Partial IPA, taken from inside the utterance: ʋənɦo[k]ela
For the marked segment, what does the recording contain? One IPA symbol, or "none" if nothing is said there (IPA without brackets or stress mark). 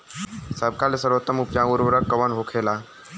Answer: kʰ